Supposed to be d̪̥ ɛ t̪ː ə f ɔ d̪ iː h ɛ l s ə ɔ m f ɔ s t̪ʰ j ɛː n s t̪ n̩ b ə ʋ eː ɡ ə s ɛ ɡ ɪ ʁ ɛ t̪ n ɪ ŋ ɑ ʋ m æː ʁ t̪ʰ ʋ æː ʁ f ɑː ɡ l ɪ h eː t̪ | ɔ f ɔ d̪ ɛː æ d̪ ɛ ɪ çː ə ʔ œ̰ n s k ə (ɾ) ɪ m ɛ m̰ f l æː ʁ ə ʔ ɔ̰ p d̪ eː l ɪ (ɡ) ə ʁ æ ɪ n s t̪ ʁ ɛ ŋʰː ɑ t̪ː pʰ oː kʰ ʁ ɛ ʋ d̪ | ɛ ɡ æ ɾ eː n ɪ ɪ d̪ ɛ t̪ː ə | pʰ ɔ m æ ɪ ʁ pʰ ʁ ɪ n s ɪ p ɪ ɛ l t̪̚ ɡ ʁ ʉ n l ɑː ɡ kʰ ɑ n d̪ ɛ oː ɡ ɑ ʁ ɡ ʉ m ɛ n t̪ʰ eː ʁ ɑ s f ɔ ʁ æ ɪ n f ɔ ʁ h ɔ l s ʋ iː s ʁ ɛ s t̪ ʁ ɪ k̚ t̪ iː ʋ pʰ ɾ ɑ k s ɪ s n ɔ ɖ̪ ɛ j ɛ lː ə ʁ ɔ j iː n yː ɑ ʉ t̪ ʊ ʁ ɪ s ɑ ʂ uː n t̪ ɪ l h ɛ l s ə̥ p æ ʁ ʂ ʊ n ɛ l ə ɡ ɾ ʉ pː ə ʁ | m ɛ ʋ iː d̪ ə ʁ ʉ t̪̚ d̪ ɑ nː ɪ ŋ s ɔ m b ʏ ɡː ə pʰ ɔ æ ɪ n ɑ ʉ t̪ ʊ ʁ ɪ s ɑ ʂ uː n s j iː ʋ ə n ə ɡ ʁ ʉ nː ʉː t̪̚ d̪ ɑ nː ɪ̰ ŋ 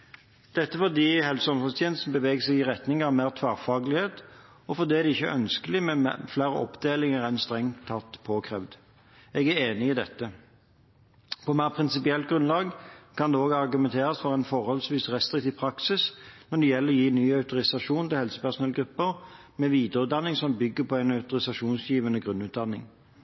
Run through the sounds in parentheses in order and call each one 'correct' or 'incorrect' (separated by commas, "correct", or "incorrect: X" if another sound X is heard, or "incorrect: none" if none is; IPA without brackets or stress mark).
incorrect: l, incorrect: ŋ